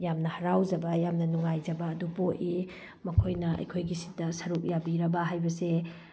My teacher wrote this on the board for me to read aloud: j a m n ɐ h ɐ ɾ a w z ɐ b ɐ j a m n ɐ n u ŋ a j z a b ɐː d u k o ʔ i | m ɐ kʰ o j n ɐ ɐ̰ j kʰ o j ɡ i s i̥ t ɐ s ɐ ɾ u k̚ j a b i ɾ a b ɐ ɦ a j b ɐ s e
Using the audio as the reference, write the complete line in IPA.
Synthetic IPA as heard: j a m n ɐ h ɐ ɾ a w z ɐ b ɐ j a m n ɐ n u ŋ a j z ɐ b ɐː d u p o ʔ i | m ɐ kʰ o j n ɐ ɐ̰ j kʰ o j ɡ i s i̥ t ɐ s ɐ ɾ u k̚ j a b i ɾ ɐ b ɐ ɦ a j b ɐ s e